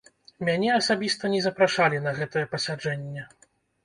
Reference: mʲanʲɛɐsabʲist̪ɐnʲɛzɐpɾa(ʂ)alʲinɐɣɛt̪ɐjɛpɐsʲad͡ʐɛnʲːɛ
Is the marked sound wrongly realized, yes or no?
no